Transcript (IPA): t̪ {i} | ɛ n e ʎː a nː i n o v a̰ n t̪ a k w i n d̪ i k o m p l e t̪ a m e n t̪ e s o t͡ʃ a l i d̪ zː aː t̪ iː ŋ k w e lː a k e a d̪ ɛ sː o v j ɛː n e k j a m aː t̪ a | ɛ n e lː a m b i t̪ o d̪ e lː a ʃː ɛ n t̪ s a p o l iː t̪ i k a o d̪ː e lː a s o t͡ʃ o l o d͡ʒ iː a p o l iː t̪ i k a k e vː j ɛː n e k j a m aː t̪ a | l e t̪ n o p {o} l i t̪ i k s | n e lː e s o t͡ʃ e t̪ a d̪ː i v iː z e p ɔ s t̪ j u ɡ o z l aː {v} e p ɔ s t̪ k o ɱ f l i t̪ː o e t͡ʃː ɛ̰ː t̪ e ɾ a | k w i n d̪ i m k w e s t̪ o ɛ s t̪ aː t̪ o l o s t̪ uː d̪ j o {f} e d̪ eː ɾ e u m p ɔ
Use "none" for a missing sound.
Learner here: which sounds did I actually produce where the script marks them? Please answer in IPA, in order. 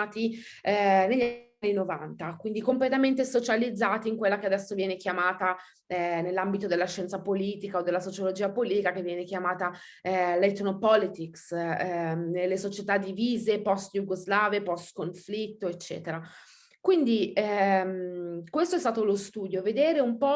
i, ɔ, v, v

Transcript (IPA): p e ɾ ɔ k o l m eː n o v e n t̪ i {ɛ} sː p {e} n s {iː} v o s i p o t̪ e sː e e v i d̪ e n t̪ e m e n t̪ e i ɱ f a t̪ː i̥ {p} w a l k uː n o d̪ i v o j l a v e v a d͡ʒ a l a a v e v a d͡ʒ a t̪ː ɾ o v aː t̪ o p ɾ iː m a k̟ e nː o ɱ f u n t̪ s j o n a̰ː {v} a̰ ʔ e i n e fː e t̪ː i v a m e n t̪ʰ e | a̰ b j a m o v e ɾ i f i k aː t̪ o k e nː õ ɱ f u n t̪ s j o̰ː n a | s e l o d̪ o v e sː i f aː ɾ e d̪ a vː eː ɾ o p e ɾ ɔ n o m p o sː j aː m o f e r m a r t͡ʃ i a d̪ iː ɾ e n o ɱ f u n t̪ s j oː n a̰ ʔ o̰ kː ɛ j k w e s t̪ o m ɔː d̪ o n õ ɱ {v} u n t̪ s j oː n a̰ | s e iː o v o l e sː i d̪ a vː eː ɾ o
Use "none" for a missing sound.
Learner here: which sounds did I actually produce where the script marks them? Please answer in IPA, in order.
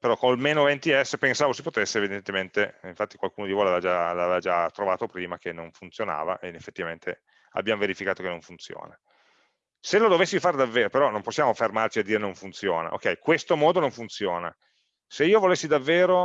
ɛ, e, aː, k, v, f

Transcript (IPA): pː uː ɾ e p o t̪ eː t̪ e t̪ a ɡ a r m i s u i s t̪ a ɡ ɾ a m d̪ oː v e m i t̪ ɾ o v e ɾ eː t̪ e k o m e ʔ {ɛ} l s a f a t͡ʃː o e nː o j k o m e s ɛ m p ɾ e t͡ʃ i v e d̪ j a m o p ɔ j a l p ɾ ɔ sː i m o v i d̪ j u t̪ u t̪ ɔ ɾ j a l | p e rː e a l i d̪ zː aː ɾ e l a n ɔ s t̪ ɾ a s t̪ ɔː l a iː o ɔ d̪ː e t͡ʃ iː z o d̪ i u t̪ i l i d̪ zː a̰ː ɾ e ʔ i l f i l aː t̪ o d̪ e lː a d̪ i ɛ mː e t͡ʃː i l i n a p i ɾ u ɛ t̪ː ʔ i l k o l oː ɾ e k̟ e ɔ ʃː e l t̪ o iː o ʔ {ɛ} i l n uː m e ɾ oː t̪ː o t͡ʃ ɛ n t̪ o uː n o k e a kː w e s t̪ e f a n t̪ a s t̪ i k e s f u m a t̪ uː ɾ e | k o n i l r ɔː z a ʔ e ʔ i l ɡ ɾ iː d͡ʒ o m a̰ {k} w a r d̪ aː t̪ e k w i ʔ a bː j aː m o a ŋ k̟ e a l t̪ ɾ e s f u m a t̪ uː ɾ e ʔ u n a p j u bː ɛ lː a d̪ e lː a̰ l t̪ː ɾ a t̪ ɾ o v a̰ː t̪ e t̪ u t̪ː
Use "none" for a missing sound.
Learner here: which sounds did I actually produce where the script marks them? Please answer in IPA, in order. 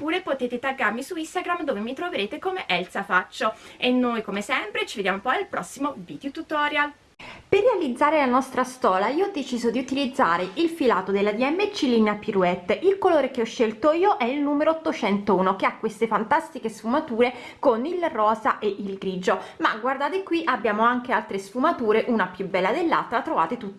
ɛ, ɛ, ɡ

